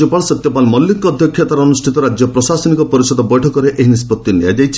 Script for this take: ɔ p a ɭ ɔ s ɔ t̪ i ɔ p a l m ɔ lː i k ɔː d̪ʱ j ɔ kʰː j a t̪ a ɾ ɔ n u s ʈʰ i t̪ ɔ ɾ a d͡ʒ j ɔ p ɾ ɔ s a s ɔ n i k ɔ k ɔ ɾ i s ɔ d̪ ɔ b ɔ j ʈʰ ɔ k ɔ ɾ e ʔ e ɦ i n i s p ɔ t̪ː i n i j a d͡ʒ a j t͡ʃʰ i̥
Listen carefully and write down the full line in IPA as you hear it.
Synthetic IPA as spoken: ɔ p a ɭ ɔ s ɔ t̪ j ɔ p a l m ɔ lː i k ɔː d̪ʱ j ɔ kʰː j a t̪ a ɾ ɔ n u s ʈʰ i t̪ ɔ ɾ a d͡ʒ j ɔ p ɾ ɔ s a s ɔ n i k ɔ p ɔ ɾ i s ɔ d̪ ɔ b ɔ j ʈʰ ɔ k ɔ ɾ e ʔ e ɦ i n i s p ɔ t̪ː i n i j a d͡ʒ a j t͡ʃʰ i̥